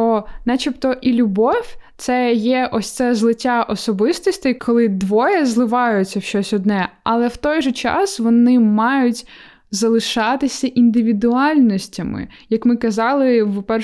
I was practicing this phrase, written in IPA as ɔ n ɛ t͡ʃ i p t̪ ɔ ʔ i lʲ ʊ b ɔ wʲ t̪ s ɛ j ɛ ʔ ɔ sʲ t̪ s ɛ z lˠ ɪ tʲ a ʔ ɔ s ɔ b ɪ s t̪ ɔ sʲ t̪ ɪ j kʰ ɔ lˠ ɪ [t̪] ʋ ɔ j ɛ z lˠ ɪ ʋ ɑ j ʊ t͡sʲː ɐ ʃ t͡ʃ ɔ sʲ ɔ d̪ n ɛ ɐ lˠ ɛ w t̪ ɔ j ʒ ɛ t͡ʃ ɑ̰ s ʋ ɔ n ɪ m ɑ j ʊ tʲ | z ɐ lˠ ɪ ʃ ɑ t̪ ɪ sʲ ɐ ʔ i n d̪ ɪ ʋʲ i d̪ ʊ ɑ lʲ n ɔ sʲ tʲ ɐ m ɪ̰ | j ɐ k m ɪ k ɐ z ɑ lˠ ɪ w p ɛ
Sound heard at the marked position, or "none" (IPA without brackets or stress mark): d̪